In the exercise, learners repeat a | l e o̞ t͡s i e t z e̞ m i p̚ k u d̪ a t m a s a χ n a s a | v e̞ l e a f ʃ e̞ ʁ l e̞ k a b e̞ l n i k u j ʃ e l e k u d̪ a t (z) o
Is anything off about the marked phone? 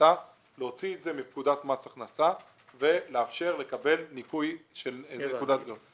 no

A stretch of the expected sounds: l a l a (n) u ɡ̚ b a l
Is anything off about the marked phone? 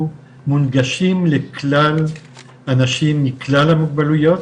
yes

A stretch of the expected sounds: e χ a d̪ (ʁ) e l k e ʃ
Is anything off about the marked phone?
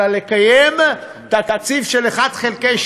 yes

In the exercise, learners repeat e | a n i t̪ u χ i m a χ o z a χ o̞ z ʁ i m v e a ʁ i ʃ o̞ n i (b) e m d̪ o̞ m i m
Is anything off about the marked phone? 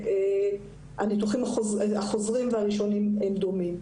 yes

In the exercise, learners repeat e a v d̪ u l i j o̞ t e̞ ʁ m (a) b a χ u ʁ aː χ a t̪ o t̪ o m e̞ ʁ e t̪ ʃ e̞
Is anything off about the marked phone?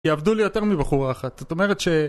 yes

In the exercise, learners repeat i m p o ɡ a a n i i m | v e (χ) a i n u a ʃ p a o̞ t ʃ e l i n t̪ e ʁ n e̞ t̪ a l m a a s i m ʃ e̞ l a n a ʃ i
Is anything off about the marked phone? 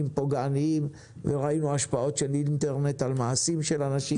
yes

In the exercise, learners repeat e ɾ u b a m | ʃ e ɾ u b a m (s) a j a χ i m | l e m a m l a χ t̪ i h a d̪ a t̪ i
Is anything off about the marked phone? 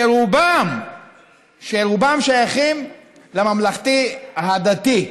yes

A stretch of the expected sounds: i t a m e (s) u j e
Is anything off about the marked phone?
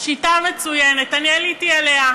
yes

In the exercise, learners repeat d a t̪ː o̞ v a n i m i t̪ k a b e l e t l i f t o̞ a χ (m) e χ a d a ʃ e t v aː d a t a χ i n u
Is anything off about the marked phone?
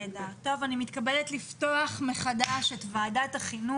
no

